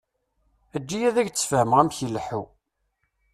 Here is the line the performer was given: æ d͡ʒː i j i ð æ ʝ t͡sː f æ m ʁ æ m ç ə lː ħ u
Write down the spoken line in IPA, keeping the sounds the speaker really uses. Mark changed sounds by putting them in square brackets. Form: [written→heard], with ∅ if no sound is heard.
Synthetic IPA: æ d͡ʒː i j [i→æ] ð æ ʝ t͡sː f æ m ʁ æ m ç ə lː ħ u